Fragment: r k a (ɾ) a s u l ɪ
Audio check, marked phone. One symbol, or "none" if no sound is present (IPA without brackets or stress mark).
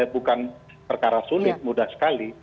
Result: ɾ